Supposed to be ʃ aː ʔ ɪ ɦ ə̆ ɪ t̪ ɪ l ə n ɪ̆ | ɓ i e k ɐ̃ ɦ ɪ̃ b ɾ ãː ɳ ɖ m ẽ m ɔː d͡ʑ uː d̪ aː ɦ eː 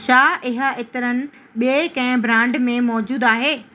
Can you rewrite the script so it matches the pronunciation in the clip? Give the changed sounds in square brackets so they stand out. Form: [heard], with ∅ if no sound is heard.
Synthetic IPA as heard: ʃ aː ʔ ɪ ɦ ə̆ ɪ t̪ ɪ [ɾ] ə n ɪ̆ | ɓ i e k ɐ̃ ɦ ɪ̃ b ɾ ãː ɳ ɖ m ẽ m ɔː d͡ʑ uː d̪ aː ɦ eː